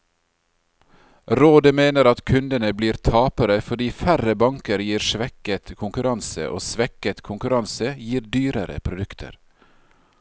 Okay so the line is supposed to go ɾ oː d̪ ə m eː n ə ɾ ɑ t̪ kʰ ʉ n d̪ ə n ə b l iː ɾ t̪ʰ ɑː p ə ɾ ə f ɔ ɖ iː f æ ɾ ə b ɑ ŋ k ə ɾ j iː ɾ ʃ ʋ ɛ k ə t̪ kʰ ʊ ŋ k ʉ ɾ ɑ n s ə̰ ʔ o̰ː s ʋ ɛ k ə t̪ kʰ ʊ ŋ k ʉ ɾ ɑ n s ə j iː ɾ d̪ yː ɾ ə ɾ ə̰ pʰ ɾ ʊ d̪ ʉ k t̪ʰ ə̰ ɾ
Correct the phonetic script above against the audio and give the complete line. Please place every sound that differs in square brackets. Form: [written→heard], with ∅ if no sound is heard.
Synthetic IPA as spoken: ɾ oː d̪ ə m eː n ə ɾ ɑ t̪ kʰ ʉ n d̪ ə n ə b l iː ɾ t̪ʰ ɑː p ə ɾ ə f ɔ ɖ iː f æ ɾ ə b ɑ ŋ k ə ɾ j iː ɾ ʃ ʋ ɛ k ə t̪ kʰ ʊ ŋ k ʉ ɾ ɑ n s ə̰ ʔ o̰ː s ʋ ɛ k ə t̪ kʰ ʊ ŋ k ʉ ɾ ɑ n s ə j iː ɾ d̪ yː ɾ ə ɾ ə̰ pʰ ɾ ʊ d̪ ʉ k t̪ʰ ə̰ ɾ